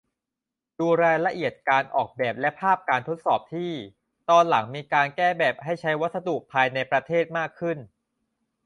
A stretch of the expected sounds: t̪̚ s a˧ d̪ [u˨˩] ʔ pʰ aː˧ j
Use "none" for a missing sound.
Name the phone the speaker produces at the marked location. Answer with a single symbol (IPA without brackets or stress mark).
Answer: u˨˩